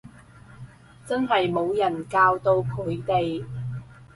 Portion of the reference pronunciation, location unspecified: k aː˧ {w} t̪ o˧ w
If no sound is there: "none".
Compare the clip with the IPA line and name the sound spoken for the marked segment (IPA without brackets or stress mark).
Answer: w